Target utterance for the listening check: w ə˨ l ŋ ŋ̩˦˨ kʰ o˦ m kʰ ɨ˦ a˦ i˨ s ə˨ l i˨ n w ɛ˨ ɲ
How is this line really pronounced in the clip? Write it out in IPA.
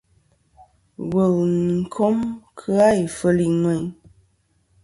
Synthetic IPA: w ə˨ l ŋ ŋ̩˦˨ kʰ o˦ m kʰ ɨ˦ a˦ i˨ f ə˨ l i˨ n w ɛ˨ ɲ